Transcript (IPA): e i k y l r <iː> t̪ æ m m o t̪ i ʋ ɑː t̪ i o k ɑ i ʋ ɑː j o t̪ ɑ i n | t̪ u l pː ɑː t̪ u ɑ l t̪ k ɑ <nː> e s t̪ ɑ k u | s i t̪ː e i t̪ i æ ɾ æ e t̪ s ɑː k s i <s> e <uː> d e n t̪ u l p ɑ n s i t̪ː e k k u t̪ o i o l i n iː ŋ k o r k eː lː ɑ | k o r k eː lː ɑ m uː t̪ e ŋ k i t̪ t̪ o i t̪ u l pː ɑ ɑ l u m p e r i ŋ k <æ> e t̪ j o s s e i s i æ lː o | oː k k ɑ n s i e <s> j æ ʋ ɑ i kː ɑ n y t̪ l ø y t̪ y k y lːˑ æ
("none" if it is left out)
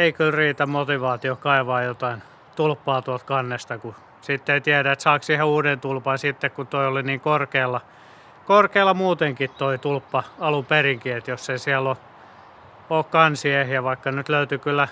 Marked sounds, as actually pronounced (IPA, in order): iː, nː, h, uː, i, h

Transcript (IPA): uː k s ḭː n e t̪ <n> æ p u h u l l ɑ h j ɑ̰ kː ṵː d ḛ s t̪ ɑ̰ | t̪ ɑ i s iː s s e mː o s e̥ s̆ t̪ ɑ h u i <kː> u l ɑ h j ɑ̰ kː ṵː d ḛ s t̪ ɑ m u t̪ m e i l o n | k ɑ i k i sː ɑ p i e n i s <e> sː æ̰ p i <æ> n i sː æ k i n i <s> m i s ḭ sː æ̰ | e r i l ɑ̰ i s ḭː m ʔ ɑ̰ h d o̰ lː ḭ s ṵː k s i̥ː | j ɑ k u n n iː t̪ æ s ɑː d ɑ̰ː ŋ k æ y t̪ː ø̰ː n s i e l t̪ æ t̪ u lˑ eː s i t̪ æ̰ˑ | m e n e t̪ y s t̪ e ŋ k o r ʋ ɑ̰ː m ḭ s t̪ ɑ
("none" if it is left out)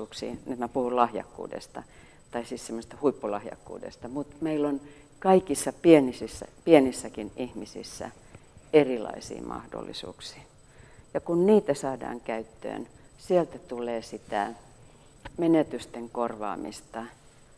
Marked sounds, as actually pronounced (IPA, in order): m, pː, i, e, h

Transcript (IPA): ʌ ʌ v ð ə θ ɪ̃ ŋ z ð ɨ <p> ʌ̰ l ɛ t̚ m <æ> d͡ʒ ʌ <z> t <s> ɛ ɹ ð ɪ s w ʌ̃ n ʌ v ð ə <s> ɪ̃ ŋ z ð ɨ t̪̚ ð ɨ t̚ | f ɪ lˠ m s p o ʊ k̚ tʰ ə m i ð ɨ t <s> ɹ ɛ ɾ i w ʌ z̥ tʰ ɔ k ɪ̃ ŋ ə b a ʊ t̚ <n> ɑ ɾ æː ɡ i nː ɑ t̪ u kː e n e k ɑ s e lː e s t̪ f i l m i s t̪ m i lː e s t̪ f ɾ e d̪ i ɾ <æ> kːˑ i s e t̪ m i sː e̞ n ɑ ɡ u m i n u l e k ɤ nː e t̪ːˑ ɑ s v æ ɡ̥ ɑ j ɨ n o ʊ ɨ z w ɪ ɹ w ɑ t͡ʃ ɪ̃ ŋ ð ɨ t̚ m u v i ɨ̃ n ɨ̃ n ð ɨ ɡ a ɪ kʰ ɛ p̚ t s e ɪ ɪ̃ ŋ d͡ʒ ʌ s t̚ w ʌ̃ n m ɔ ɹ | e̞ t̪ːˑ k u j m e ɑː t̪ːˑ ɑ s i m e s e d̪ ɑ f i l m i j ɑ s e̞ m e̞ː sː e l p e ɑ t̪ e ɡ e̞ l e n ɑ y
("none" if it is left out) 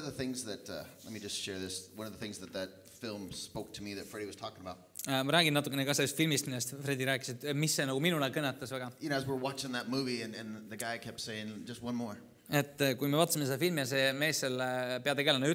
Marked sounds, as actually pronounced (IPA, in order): t, i, s, ʃ, θ, f, m, æː

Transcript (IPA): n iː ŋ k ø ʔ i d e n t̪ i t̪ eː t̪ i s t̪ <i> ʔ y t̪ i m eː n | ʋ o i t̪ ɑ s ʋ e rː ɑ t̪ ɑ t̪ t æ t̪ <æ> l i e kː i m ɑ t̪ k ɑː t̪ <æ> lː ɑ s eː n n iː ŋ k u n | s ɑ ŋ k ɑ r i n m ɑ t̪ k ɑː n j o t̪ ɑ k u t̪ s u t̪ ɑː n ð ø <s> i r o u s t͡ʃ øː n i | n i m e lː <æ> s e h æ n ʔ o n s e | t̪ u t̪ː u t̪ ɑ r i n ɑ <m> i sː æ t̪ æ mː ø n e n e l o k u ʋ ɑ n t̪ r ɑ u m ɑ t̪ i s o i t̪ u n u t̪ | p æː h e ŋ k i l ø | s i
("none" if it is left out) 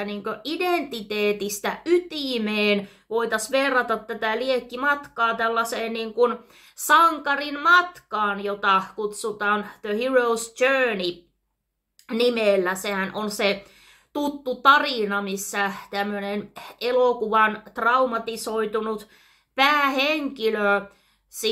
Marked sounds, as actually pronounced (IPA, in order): æ, æ, æ, h, æ, m

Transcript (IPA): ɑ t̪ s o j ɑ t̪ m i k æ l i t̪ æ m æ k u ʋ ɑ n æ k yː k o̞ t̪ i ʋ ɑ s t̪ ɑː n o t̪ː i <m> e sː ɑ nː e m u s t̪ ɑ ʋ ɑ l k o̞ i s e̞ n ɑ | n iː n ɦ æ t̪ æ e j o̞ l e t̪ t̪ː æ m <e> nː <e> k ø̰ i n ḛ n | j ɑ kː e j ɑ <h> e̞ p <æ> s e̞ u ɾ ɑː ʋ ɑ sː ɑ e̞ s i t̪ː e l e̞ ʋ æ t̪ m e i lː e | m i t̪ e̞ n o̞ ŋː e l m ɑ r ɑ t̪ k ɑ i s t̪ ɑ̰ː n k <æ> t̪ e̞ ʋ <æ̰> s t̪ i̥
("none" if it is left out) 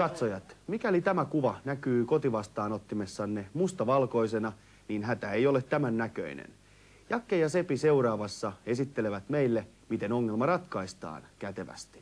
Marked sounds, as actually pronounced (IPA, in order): m, æ, æ, s, i, æ, æ̰

